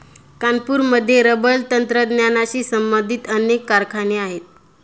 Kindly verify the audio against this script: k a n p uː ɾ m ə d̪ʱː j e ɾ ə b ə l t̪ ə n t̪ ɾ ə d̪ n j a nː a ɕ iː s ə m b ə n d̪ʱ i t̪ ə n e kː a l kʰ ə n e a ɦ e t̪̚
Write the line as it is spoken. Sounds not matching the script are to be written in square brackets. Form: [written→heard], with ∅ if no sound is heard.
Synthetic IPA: k a n p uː ɾ m ə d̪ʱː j e ɾ ə b ə l t̪ ə n t̪ ɾ ə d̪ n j a [nː→n] a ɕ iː s ə m b ə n d̪ʱ i t̪ ə n e kː a [l→ɾ] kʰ [ə→a] n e a ɦ e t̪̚